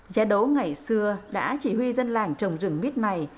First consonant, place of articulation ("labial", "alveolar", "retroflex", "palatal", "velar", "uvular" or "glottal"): alveolar